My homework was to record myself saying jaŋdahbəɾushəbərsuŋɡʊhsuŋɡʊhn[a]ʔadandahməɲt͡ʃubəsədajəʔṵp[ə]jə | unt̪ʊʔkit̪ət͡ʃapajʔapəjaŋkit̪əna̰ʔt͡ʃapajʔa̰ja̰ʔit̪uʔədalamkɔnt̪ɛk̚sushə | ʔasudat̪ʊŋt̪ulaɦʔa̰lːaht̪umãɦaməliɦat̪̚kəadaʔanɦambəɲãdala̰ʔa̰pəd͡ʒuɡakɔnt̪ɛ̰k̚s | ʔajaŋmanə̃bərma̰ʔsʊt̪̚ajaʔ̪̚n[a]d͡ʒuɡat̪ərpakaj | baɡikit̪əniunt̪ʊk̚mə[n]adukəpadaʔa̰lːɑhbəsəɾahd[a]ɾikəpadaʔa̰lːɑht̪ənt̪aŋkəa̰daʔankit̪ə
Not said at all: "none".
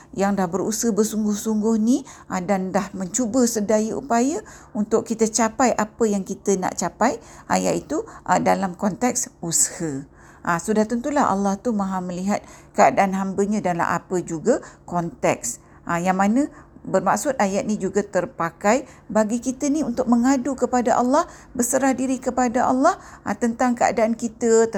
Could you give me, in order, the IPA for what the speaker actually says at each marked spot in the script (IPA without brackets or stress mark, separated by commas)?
i, a, i, ŋ, i